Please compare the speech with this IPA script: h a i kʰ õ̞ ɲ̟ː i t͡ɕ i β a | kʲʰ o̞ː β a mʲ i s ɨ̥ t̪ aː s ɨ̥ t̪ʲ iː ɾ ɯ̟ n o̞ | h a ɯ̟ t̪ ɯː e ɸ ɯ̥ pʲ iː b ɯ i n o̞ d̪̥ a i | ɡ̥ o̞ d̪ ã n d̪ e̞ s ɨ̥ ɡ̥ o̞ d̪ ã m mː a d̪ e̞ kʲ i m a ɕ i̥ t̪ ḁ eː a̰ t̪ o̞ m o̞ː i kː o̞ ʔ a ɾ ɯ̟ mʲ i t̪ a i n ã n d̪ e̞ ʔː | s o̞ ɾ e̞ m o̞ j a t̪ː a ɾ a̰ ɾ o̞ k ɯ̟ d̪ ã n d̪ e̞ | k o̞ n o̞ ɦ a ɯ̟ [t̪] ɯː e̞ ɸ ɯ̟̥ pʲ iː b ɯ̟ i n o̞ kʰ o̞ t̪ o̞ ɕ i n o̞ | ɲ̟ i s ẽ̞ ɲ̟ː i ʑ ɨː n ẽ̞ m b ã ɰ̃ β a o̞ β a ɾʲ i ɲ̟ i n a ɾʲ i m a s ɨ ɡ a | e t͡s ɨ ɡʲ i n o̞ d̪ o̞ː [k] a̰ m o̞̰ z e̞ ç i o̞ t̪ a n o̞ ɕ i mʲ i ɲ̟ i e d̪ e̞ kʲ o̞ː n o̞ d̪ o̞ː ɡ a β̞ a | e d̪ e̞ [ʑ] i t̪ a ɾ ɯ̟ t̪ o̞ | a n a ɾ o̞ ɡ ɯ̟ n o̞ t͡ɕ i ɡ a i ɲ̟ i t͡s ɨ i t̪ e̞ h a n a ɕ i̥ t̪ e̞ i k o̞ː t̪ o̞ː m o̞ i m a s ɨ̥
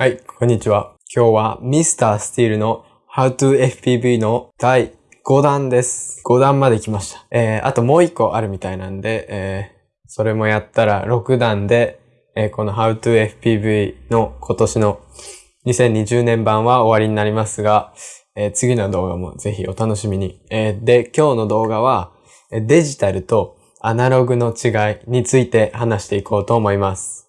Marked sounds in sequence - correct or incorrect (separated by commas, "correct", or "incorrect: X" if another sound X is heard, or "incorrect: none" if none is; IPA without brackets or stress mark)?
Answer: correct, incorrect: ɡ, correct